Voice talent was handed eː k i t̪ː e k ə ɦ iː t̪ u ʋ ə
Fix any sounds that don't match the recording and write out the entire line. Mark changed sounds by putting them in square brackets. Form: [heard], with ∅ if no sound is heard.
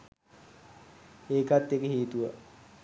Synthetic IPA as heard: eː k [a] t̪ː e k ə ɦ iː t̪ u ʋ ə